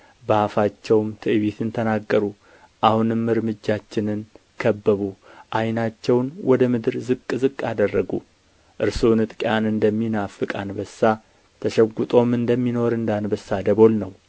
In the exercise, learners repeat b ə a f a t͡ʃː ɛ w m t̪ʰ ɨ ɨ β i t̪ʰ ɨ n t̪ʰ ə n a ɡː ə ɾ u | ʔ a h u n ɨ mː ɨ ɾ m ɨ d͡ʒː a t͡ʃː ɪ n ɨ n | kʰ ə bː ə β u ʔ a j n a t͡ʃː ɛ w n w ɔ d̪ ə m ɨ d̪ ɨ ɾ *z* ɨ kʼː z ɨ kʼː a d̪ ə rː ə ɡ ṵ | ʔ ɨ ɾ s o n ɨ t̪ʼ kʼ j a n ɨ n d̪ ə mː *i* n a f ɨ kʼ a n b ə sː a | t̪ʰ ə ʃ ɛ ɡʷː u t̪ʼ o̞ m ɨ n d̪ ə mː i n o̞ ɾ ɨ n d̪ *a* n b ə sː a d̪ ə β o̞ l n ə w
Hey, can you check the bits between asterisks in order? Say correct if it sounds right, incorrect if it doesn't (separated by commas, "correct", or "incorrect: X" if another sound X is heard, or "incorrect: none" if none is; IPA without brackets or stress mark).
correct, correct, correct